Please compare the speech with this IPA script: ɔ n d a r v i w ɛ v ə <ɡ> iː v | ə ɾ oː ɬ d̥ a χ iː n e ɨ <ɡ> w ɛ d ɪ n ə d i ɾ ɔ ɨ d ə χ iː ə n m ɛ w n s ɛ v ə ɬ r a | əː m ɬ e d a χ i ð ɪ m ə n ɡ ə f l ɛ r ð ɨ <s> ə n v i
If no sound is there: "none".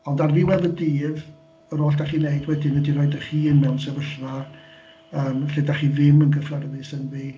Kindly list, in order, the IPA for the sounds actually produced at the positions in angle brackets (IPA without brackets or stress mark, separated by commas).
d, d, s